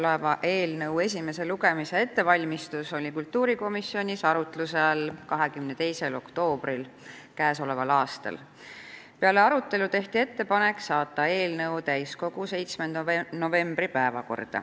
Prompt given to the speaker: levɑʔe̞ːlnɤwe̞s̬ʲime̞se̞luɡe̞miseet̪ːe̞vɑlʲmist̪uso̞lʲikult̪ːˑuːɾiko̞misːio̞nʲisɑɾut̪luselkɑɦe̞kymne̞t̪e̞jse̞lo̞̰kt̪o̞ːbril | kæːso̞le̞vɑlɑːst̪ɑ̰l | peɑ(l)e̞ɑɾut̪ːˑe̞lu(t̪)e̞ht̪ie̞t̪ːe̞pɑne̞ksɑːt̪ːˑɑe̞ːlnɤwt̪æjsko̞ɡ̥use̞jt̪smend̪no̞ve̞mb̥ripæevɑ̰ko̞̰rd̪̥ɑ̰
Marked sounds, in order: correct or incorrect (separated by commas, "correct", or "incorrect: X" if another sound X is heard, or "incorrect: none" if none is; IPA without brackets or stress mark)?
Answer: correct, correct